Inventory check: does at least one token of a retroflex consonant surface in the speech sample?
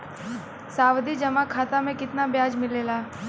no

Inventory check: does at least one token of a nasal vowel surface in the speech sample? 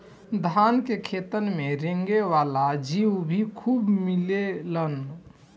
no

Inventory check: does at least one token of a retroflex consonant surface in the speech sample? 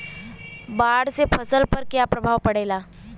yes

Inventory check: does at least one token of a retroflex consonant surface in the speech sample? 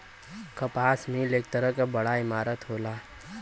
yes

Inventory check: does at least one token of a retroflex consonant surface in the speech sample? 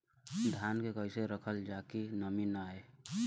no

